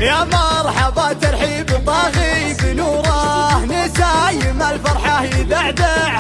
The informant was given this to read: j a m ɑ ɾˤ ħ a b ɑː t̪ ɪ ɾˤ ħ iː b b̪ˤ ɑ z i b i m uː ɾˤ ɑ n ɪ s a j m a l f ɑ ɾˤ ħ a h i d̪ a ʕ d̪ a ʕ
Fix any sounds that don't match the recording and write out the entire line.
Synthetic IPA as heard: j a m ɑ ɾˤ ħ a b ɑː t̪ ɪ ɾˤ ħ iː b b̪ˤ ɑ ɣ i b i n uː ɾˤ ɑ n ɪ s a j m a l f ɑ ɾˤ ħ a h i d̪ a ʕ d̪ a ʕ

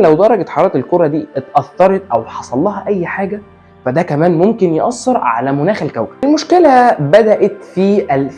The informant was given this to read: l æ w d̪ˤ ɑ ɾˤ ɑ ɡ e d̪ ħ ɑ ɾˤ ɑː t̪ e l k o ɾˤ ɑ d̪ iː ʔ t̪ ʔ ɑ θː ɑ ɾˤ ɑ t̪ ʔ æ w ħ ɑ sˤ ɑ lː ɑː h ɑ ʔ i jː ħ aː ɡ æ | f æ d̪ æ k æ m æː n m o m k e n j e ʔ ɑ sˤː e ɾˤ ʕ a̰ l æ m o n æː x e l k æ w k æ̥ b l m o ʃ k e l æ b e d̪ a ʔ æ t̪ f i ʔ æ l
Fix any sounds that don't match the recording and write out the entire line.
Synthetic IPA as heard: l æ w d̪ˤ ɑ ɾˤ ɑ ɡ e t̪ ħ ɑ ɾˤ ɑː t̪ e l k o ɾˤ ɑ d̪ iː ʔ t̪ ʔ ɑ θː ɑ ɾˤ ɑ t̪ ʔ æ w ħ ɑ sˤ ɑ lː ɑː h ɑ ʔ æ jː ħ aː ɡ æ | f æ d̪ æ k æ m æː n m o m k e n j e ʔ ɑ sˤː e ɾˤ ʕ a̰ l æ m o n æː x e l k æ w k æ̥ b l m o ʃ k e l æ b æ d̪ æ ʔ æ t̪ f i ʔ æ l

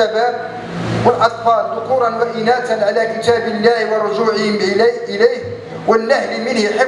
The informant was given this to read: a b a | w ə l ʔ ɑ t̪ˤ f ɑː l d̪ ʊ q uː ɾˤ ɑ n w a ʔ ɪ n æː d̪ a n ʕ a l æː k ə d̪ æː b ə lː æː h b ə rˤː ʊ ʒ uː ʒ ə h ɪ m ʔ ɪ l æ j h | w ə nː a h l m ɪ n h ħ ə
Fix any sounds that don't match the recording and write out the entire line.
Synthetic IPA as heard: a b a | w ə l ʔ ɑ t̪ˤ f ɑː l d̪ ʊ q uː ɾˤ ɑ n w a ʔ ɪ n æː t̪ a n ʕ a l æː k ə t̪ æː b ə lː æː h w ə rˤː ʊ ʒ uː ʕ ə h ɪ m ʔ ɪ l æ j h | w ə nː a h l m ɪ n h ħ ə

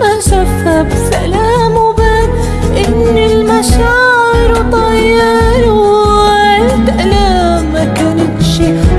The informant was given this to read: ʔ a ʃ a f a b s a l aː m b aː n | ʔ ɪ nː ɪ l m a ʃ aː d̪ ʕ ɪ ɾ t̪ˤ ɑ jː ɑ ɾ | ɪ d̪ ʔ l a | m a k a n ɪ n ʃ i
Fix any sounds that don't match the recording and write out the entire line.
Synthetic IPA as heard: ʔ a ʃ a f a b s a l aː m b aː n | ʔ ɪ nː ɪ l m a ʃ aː ʕ ɪ ɾ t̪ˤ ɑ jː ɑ ɾ | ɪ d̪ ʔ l a | m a k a n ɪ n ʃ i

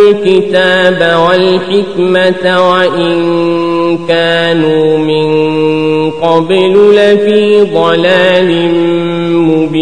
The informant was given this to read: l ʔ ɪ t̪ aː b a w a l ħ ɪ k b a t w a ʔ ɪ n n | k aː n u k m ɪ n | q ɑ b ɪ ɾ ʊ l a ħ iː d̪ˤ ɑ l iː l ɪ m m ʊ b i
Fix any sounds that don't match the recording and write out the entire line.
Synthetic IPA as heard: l k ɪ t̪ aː b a w a l ħ ɪ k m a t w a ʔ ɪ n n | k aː n u m ɪ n | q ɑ b ɪ l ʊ l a f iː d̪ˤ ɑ l aː l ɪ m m ʊ b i

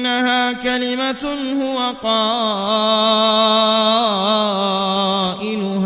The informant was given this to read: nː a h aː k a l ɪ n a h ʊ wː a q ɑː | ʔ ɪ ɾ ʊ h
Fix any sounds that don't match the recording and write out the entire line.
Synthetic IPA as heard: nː a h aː k a l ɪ m a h ʊ w a q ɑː | ʔ ɪ l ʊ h

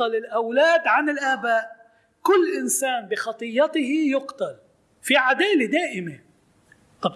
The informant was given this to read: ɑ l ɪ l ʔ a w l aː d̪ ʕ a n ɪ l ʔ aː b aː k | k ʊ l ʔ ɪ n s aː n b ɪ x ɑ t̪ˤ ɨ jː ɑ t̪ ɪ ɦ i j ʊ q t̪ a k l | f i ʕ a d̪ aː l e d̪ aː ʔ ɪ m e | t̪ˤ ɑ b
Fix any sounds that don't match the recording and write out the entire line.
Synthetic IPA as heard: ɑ l ɪ l ʔ a w l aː d̪ ʕ a n ɪ l ʔ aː b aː ʔ | k ʊ lː ʔ ɪ n s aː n b ɪ x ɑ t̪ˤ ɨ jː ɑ t̪ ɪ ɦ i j ʊ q t̪ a l | f i ʕ a d̪ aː l e d̪ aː ʔ ɪ m e | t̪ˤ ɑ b

